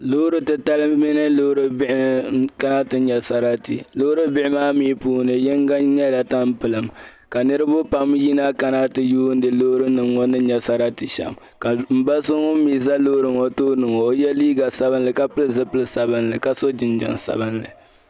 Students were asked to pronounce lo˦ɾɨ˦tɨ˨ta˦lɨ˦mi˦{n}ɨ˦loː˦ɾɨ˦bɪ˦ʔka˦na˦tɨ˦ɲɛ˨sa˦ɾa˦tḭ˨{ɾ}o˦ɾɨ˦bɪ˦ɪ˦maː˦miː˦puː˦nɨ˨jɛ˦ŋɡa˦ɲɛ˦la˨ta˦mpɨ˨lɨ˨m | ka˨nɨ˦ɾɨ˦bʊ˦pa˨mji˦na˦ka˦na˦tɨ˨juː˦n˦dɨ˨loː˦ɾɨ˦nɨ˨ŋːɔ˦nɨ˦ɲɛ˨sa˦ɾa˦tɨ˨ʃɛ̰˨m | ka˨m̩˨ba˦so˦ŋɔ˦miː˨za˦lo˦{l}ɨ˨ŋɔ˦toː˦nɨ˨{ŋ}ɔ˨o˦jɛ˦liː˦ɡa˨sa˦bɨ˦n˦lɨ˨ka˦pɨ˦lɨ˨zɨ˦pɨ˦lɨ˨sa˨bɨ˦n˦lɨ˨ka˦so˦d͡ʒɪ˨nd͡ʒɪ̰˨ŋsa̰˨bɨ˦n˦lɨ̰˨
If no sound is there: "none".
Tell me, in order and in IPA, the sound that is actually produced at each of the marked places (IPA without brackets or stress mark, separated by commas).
n, l, ɾ, ŋ